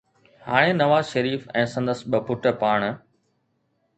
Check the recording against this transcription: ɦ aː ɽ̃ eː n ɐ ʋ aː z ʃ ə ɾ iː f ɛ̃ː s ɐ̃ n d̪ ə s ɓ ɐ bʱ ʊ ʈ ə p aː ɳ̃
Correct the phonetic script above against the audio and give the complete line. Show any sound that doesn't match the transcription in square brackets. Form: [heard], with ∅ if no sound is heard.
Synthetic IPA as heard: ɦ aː ɽ̃ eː n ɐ ʋ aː z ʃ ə ɾ iː f ɛ̃ː s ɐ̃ n d̪ ə s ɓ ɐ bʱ ʊ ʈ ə p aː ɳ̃